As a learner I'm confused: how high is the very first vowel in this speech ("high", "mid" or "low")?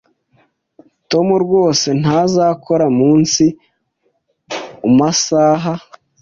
mid